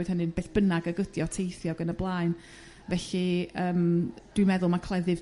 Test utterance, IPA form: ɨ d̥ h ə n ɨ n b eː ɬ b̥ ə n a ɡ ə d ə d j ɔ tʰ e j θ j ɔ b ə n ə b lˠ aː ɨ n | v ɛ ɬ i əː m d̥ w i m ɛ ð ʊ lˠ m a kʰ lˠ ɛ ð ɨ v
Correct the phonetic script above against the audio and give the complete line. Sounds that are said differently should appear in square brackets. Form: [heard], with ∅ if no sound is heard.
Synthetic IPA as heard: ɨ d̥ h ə n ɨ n b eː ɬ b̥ ə n a ɡ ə [ɡ] ə d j ɔ tʰ e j θ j ɔ [ɡ] ə n ə b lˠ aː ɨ n | v ɛ ɬ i əː m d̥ w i m ɛ ð ʊ lˠ m a kʰ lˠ ɛ ð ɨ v

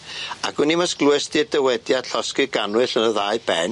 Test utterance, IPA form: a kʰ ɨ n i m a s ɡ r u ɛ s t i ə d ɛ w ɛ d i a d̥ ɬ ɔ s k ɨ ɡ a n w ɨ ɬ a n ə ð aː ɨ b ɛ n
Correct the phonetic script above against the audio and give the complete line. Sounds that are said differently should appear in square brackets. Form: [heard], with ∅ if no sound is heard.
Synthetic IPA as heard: a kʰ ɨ n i m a s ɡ [l] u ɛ s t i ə d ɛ w ɛ d [j] a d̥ ɬ ɔ s k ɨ ɡ a n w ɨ ɬ [ə] n ə ð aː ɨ b ɛ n

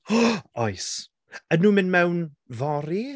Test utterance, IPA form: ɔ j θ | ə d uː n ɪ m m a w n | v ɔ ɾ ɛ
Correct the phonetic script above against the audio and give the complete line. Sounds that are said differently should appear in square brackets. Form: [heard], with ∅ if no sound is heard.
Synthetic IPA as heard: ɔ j [s] | ə [n] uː [m] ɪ [n] m [ɛ] w n | v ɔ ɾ [i]

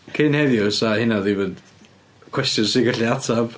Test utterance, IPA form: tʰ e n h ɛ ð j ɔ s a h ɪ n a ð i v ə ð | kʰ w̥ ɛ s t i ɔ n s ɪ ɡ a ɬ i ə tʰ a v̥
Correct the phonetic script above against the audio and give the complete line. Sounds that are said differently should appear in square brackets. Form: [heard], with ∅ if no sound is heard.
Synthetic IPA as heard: [kʰ] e n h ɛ ð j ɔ s a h ɪ n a ð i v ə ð | kʰ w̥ ɛ s t [j] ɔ n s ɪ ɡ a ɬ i [a] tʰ a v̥

